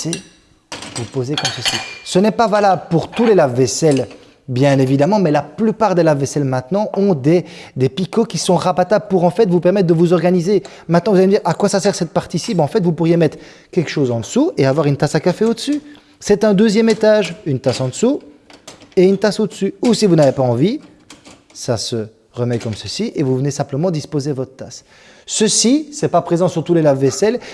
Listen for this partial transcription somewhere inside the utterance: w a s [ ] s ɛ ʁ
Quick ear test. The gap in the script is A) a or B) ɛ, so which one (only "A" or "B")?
A